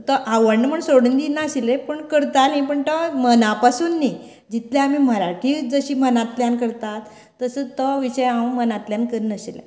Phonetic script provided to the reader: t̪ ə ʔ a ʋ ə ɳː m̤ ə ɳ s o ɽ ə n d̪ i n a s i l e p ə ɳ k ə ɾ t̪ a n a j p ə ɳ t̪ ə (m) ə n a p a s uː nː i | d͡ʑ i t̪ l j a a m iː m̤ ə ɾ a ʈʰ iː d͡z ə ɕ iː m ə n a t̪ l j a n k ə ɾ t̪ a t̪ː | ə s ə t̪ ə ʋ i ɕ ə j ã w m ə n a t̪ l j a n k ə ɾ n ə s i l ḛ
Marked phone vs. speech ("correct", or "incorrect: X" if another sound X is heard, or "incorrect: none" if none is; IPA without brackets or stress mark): correct